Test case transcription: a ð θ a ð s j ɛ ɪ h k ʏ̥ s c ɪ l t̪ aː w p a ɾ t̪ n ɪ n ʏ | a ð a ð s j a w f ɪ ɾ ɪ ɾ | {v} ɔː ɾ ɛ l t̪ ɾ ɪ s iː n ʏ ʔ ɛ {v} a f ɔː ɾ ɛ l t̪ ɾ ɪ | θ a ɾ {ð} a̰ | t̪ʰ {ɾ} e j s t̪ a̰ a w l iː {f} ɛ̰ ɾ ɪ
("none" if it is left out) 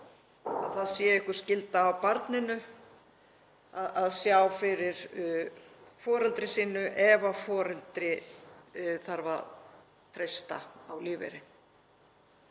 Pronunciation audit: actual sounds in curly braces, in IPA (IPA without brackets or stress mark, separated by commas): f, v, v, ɾ, v